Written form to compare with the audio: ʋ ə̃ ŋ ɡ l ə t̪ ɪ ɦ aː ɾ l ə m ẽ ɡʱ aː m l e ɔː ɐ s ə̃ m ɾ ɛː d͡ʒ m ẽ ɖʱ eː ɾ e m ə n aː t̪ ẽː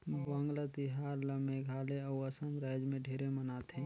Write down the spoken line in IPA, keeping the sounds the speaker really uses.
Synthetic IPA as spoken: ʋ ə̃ ŋ ɡ l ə t̪ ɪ ɦ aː ɾ l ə m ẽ ɡʱ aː l e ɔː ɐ s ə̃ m ɾ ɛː d͡ʒ m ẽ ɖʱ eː ɾ e m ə n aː t̪ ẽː